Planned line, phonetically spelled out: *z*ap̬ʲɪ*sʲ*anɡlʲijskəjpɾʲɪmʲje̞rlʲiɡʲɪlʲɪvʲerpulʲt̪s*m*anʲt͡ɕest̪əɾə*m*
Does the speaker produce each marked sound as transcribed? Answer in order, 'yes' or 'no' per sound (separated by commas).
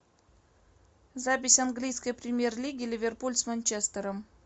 yes, yes, yes, yes